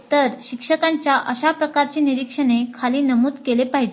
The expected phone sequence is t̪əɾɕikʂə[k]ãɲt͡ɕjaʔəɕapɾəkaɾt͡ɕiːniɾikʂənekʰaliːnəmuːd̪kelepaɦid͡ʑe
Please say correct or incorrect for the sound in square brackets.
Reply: correct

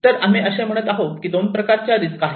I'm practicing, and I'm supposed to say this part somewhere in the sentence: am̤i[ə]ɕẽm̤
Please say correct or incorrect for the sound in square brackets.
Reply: correct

